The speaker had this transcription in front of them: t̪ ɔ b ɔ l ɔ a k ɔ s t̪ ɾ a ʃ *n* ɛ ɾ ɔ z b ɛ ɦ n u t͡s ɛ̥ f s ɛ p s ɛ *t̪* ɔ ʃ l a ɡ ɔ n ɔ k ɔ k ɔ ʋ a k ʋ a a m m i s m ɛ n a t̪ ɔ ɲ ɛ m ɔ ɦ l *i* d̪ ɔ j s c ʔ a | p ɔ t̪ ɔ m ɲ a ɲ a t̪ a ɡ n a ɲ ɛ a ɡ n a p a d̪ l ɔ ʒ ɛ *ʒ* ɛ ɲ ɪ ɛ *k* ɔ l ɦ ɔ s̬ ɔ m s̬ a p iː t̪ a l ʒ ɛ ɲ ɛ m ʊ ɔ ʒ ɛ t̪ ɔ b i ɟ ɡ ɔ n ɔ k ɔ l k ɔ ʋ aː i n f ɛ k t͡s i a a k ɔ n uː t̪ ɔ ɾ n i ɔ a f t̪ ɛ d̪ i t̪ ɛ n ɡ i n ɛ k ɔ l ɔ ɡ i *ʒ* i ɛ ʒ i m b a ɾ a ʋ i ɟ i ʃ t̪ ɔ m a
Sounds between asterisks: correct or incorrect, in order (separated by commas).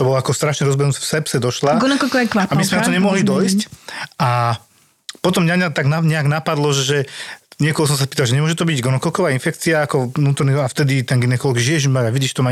incorrect, incorrect, correct, correct, correct, correct